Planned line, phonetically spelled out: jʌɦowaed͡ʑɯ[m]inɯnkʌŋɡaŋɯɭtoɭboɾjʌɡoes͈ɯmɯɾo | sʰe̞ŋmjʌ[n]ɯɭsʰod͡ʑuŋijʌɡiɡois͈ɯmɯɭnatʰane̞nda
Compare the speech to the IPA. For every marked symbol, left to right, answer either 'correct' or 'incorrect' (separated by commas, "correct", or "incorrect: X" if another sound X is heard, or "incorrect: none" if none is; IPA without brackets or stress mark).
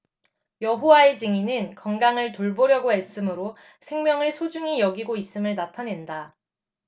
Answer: incorrect: ŋ, incorrect: ŋ